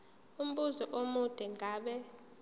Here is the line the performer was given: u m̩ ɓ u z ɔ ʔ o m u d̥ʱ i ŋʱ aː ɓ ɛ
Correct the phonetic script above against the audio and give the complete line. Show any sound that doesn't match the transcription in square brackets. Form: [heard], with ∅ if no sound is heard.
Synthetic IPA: u m̩ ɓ u z ɔ ʔ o m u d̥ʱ [ɛ] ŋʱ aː ɓ ɛ